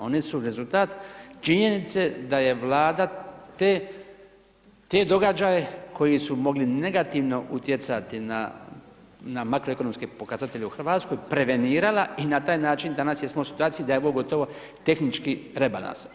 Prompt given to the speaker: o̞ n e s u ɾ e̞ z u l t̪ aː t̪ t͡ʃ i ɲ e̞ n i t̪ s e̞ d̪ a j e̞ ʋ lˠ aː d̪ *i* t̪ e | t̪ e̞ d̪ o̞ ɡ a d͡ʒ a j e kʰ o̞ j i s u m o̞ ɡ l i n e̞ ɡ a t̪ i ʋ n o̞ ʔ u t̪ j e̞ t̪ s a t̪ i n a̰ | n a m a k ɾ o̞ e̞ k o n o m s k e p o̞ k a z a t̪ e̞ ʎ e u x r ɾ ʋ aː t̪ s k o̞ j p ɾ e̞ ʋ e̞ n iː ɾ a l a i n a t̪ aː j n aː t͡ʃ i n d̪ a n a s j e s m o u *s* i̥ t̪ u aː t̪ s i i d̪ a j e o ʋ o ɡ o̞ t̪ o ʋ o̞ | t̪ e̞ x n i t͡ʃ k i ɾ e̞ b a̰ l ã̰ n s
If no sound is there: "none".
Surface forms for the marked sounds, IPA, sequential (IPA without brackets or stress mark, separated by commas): a, s